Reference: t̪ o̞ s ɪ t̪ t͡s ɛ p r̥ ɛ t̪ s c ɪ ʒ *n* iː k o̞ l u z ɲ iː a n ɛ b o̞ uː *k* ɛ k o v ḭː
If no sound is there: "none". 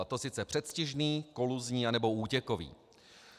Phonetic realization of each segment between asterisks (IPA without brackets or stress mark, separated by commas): n, c